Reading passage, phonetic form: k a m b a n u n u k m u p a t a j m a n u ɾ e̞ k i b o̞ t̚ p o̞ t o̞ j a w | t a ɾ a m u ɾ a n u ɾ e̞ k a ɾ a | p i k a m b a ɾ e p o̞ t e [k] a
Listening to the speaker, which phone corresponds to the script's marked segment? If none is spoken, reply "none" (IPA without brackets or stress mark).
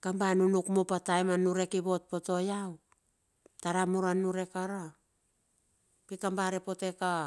k